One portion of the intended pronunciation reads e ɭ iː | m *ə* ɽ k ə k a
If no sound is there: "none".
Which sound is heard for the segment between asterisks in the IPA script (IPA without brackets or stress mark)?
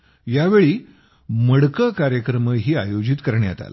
ə